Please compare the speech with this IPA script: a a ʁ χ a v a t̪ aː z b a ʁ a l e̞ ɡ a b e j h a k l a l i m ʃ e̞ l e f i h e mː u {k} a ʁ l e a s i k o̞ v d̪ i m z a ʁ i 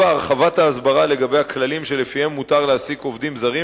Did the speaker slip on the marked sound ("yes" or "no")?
yes